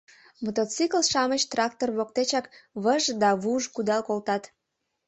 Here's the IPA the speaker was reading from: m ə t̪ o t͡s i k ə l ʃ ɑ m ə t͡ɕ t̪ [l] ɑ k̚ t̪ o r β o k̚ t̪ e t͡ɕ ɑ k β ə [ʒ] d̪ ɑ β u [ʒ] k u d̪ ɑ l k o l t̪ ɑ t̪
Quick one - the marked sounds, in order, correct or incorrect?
incorrect, correct, correct

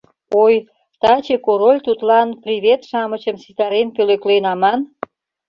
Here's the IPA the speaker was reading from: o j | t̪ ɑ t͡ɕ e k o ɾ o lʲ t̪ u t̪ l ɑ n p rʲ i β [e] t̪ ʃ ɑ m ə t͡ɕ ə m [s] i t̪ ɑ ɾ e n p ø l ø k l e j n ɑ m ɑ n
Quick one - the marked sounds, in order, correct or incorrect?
correct, correct

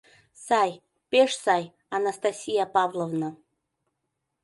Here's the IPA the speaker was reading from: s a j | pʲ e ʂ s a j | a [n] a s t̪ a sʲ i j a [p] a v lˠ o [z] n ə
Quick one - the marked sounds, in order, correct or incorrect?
correct, correct, incorrect

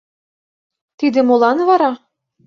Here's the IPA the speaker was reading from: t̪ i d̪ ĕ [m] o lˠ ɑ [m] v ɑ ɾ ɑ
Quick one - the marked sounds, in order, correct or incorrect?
correct, incorrect

